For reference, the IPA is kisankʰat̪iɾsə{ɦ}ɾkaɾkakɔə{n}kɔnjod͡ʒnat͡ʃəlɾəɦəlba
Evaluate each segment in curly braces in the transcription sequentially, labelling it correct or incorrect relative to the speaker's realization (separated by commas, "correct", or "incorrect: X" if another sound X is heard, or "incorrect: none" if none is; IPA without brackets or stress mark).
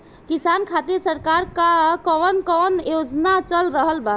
incorrect: none, correct